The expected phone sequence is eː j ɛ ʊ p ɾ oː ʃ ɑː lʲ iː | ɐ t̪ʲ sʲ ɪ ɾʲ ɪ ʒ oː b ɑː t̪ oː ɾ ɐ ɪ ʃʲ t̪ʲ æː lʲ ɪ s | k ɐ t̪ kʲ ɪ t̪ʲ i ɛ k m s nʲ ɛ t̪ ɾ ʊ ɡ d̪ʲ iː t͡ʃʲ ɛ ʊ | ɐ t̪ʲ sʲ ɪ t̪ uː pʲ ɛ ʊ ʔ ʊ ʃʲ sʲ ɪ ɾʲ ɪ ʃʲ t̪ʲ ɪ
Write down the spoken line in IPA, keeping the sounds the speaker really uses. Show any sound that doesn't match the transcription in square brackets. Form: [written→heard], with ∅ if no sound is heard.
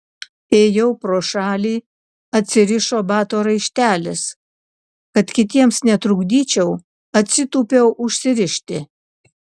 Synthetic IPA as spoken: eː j ɛ ʊ p ɾ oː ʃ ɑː lʲ iː | ɐ t̪ʲ sʲ ɪ ɾʲ ɪ [ʒ→ʃ] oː b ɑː t̪ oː ɾ ɐ ɪ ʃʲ t̪ʲ æː lʲ ɪ s | k ɐ t̪ kʲ ɪ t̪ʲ i ɛ [k→∅] m s nʲ ɛ t̪ ɾ ʊ ɡ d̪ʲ iː t͡ʃʲ ɛ ʊ | ɐ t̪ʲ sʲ ɪ t̪ uː pʲ ɛ ʊ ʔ ʊ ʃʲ sʲ ɪ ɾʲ ɪ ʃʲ t̪ʲ ɪ